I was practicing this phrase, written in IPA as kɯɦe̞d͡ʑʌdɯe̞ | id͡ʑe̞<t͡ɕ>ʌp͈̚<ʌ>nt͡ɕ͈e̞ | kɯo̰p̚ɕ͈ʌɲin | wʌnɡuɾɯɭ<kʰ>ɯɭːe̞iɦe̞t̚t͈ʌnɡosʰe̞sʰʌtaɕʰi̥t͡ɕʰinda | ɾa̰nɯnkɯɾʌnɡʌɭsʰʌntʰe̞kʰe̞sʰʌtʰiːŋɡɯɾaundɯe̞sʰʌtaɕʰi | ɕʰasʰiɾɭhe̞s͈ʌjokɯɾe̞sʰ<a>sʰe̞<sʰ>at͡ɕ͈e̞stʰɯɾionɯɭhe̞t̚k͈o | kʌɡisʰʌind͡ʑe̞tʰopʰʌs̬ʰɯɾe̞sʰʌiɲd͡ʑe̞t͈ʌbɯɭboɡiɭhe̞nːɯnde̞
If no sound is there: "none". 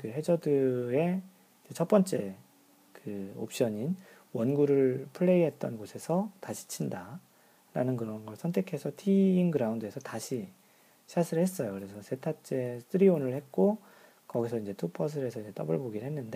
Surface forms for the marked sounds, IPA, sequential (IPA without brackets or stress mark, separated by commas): t͡ɕʰ, ʌ, pʰ, ʌ, tʰ